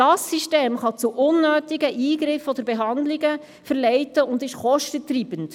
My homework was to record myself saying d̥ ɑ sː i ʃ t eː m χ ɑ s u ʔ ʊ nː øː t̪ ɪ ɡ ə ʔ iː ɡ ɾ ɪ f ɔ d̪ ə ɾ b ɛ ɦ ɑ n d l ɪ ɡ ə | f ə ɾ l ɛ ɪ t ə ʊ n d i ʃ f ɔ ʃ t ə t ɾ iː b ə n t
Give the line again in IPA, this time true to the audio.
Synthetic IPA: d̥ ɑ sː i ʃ t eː m χ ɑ t͡s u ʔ ʊ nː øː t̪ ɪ ɡ ə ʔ iː ɡ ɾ ɪ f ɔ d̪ ə ɾ b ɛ ɦ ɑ n d l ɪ ɡ ə | f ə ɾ l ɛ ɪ t ə ʊ n d ɪ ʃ χ ɔ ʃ t ə t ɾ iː b ə n t